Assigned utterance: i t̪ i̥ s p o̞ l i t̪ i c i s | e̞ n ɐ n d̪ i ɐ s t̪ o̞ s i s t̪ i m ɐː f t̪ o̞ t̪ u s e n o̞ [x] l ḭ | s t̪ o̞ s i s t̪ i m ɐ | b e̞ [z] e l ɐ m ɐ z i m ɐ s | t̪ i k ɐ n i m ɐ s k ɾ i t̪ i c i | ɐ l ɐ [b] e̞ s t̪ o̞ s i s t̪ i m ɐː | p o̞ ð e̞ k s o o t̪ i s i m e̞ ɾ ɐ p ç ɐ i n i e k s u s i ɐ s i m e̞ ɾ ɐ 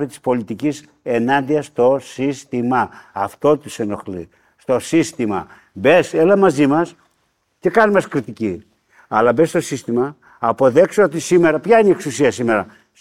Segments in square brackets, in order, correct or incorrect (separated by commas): correct, incorrect, correct